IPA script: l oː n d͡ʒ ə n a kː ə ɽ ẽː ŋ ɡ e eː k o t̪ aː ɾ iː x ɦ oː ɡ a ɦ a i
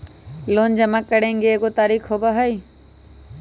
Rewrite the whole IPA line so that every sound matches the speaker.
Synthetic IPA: l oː n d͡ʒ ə m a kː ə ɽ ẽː ŋ ɡ e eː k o t̪ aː ɾ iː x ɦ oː b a ɦ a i